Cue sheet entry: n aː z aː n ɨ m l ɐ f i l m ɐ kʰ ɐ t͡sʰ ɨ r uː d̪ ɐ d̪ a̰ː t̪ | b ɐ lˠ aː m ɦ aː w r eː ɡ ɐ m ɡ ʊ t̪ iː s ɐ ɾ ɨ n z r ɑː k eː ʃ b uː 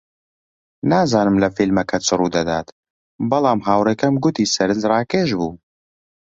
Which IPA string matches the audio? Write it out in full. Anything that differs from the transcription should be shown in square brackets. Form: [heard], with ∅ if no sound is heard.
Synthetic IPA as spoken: n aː z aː n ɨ m l ɐ f i l m ɐ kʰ ɐ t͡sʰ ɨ r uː d̪ ɐ d̪ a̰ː t̪ | b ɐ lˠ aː m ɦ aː w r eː [k] ɐ m ɡ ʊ t̪ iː s ɐ ɾ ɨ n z r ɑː k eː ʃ b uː